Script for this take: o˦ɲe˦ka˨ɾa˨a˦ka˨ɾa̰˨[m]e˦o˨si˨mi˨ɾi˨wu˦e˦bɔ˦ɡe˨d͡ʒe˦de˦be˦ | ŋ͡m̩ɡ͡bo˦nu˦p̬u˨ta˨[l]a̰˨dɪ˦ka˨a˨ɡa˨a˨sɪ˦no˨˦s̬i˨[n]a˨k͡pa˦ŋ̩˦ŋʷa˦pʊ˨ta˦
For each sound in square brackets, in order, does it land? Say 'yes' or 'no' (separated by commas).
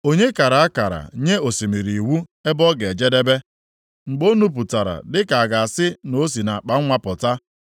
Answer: no, no, yes